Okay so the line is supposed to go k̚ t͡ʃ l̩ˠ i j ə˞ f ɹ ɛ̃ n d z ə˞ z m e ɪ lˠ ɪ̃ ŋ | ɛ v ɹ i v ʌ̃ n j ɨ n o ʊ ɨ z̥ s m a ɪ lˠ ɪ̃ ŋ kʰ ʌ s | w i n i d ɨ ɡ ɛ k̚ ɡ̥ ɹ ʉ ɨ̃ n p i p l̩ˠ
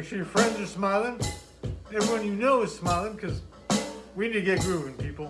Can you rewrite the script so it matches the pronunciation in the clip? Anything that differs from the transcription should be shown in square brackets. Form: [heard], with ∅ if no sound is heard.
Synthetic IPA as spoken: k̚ t͡ʃ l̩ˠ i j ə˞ f ɹ ɛ̃ n d z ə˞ [s] m [a] ɪ lˠ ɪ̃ ŋ | ɛ v ɹ i [w] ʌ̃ n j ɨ n o ʊ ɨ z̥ s m a ɪ lˠ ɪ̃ ŋ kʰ ʌ [z] | w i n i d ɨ ɡ ɛ [t̚] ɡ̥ ɹ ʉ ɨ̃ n p i p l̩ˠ